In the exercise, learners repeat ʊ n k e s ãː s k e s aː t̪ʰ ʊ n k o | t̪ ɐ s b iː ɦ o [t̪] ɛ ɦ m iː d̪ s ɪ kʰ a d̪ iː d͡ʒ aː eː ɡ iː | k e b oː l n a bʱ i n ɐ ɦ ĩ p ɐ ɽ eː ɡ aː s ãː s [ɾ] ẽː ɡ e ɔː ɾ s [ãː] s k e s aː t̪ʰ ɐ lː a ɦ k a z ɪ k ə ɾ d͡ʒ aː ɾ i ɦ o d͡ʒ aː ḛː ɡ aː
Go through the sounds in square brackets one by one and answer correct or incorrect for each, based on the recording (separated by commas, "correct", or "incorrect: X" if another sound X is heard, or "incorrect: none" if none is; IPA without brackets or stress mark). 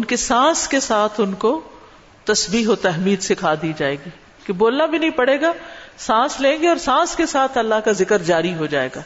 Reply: correct, incorrect: l, correct